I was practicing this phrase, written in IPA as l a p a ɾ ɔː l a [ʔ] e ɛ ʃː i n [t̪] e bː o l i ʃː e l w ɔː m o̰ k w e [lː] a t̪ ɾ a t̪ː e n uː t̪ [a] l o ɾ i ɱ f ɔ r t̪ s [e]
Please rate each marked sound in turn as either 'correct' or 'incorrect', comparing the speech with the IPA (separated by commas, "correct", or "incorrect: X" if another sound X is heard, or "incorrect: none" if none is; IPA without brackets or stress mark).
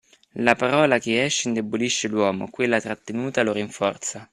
incorrect: k, incorrect: d̪, correct, correct, incorrect: a